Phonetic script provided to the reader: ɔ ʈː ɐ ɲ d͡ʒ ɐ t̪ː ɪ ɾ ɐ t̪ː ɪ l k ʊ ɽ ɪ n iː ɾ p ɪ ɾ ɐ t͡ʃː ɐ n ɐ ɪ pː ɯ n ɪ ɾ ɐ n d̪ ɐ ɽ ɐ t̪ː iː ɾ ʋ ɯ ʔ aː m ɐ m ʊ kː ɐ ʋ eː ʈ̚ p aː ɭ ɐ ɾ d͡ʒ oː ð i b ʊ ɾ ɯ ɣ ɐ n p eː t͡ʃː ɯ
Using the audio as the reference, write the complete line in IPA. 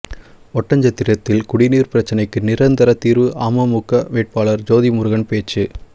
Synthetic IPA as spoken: ɔ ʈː ɐ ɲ d͡ʒ ɐ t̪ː ɪ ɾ ɐ t̪ː ɪ l k ʊ ɽ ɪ n iː ɾ p ɪ ɾ ɐ t͡ʃː ɐ n ɐ ɪ kː ɯ n ɪ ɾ ɐ n d̪ ɐ ɾ ɐ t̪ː iː ɾ ʋ ɯ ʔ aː m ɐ m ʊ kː ɐ ʋ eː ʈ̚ p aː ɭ ɐ ɾ d͡ʒ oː ð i m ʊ ɾ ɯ ɣ ɐ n p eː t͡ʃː ɯ